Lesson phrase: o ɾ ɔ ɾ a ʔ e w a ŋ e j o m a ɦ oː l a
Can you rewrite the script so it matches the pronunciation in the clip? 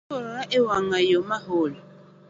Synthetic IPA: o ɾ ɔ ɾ a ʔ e w a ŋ a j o m a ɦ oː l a